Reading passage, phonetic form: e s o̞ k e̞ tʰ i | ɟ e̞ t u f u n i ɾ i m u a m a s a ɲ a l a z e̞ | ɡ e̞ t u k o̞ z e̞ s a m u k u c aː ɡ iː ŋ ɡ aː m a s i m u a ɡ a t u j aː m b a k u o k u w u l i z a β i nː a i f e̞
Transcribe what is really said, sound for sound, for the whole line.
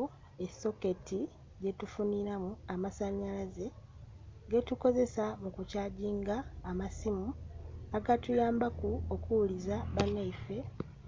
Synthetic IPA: e s o̞ k e̞ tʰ i | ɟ e̞ t u f u n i ɾ a m u a m a s a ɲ a l a z e̞ | ɡ e̞ t u k o̞ z e̞ s a m u k u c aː ɟ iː ŋ ɡ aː m a s i m u a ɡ a t u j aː m b a k u o k u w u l i z a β a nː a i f e̞